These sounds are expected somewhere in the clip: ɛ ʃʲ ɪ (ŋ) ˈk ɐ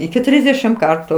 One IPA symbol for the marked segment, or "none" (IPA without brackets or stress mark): m